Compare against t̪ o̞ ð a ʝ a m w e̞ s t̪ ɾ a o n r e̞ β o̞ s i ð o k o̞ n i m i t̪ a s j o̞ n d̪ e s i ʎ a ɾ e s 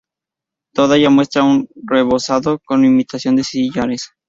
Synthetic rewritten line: t̪ o̞ ð a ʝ a m w e̞ s t̪ ɾ a u n r e̞ β o̞ s a ð o k o̞ n i m i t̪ a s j o̞ n d̪ e s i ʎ a ɾ e s